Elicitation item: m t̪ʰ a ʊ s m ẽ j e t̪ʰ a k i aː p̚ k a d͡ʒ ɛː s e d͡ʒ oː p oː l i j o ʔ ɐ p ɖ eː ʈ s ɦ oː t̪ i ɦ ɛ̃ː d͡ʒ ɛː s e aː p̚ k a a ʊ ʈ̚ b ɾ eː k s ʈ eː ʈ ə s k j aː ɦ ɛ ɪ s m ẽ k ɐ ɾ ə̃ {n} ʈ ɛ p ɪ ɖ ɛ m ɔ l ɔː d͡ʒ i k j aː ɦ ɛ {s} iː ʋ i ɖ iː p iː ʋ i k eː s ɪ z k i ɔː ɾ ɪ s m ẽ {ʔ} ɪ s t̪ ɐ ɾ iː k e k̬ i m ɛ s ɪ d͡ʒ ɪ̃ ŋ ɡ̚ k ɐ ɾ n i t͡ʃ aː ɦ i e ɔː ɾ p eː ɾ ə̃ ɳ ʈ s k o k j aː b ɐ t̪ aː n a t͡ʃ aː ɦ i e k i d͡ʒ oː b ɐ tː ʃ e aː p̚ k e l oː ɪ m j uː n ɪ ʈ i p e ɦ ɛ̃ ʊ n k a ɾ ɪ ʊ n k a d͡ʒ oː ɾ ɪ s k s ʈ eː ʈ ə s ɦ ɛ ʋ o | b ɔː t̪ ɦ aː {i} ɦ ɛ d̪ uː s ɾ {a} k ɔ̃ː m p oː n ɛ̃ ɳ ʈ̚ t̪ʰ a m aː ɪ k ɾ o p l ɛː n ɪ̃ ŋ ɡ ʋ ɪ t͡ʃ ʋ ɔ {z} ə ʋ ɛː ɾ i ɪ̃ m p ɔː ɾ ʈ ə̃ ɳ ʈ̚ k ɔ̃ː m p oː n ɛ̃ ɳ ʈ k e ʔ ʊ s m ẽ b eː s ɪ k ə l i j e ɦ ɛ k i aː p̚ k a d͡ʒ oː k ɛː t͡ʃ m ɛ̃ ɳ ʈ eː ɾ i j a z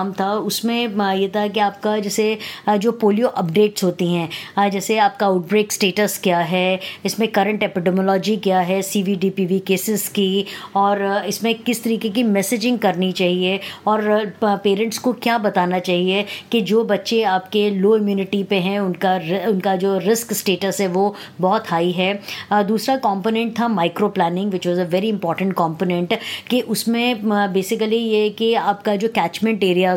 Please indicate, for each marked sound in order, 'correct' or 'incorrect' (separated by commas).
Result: incorrect, correct, incorrect, correct, correct, correct